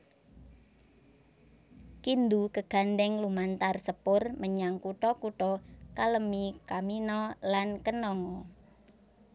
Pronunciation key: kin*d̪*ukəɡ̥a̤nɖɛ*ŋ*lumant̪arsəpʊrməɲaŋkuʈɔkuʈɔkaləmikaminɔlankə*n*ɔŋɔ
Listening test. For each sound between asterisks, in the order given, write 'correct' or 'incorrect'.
correct, correct, correct

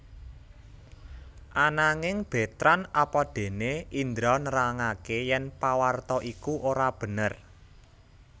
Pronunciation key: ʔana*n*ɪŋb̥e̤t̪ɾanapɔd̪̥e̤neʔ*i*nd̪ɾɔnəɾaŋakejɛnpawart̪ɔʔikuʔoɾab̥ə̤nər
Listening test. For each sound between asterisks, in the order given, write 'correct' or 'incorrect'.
incorrect: ŋ, correct

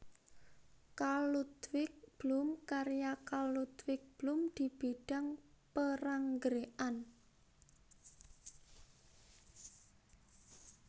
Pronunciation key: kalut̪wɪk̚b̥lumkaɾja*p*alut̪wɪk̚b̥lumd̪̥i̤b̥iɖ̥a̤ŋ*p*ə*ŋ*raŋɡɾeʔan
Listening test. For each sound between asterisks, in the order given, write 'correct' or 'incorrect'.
incorrect: k, correct, incorrect: none

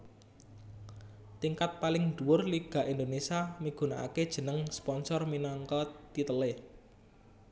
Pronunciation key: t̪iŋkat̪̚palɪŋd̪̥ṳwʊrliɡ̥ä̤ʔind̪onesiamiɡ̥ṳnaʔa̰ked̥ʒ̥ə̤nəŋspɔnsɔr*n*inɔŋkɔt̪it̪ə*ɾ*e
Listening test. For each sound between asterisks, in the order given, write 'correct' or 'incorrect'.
incorrect: m, incorrect: l

